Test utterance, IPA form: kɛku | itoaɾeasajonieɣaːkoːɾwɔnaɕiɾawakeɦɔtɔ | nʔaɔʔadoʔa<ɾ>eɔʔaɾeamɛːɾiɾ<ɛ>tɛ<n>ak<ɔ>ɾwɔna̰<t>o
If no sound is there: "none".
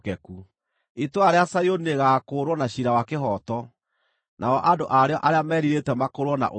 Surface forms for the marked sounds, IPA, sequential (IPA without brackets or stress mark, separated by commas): ɾ, e, m, o, ʔ